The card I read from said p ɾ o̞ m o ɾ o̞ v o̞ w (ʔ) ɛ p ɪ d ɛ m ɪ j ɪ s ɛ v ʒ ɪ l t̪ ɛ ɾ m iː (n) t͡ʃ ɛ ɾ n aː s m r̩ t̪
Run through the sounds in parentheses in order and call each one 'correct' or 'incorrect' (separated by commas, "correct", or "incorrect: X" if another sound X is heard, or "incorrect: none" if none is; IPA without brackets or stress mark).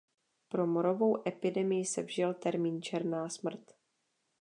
correct, correct